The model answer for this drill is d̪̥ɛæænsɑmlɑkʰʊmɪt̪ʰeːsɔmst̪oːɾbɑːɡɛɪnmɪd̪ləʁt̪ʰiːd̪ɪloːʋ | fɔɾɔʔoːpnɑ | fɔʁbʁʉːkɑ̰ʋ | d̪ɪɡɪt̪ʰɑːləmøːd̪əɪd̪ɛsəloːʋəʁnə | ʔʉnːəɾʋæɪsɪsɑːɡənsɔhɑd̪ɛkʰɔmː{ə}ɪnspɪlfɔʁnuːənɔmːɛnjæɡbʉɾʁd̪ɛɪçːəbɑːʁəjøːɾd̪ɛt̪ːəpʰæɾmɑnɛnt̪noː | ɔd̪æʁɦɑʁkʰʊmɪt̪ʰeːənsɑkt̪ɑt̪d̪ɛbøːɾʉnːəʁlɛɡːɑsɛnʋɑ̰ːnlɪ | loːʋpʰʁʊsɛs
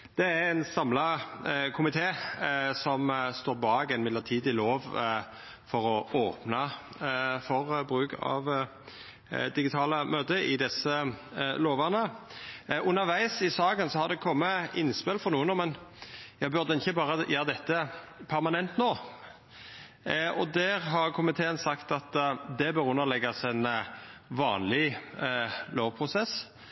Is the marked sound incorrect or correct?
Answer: correct